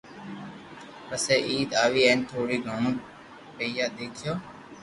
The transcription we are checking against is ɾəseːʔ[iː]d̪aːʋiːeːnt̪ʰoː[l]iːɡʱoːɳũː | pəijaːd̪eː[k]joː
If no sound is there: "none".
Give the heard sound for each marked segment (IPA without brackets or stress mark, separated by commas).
iː, ɽ, kʰ